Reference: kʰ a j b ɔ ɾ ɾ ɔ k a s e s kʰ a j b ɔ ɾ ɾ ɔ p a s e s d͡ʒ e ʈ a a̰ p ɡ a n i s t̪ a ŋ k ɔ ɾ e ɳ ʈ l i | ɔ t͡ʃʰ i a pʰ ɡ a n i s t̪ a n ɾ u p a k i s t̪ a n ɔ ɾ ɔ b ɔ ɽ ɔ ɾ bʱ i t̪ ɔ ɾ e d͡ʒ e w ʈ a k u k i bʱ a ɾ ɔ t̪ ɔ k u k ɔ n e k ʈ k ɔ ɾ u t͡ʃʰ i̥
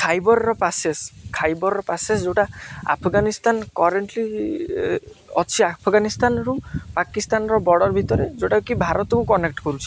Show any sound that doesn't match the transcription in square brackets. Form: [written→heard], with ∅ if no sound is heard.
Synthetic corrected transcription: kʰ a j b ɔ ɾ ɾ ɔ [k→p] a s e s kʰ a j b ɔ ɾ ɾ ɔ p a s e s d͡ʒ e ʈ a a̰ [p→pʰ] ɡ a n i s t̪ a [ŋ→n] k ɔ ɾ e ɳ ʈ l i | ɔ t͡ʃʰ i a pʰ ɡ a n i s t̪ a n ɾ u p a k i s t̪ a n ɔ ɾ ɔ b ɔ ɽ ɔ ɾ bʱ i t̪ ɔ ɾ e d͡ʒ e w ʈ a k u k i bʱ a ɾ ɔ t̪ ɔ k u k ɔ n e k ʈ k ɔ ɾ u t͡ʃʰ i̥